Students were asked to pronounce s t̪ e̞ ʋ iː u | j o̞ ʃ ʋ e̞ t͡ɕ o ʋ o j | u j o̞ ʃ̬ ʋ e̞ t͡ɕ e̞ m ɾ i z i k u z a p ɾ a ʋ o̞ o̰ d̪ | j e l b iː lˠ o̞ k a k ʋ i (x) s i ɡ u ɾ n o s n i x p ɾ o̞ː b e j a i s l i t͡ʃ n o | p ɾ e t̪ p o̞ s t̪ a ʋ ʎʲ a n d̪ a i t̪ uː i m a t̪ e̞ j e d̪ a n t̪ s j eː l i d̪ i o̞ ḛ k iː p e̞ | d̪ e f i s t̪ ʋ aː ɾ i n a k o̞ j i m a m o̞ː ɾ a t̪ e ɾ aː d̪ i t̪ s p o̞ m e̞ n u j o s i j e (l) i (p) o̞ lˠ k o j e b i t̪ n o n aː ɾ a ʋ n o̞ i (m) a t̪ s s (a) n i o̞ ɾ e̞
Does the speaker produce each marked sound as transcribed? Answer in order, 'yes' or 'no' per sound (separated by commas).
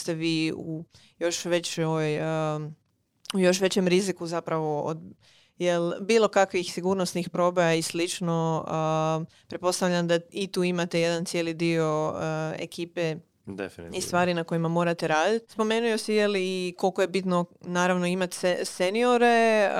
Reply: yes, yes, no, yes, no